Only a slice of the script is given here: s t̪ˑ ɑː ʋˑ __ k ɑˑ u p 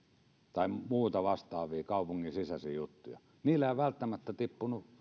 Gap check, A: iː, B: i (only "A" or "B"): A